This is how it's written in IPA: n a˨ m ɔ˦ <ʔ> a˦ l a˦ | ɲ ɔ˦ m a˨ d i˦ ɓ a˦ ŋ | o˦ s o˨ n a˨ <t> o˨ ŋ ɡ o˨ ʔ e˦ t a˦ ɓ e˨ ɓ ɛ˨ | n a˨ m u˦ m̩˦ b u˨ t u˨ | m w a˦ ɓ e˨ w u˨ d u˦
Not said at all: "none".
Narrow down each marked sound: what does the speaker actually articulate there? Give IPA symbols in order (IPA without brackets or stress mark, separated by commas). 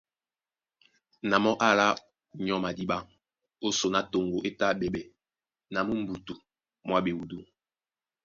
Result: ʔ, t